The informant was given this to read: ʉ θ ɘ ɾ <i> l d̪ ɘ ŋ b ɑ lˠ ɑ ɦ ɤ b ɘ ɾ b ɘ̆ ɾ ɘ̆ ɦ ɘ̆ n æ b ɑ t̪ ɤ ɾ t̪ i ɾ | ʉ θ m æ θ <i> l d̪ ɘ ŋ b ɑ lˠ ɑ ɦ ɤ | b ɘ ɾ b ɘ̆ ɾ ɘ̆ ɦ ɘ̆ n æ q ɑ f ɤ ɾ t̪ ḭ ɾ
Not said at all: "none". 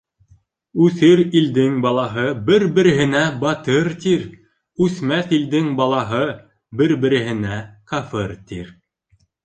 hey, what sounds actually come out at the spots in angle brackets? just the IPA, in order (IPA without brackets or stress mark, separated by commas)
i, i